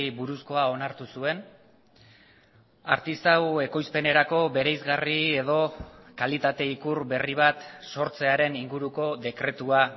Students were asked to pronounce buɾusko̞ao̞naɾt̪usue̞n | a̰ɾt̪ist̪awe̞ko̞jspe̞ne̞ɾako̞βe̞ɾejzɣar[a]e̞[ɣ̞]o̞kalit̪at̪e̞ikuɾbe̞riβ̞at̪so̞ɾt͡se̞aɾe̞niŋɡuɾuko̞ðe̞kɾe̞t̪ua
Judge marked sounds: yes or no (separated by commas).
no, no